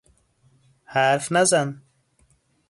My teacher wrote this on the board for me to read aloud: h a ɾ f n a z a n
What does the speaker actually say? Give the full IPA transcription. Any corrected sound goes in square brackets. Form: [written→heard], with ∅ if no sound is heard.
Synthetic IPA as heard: h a ɾ f n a z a n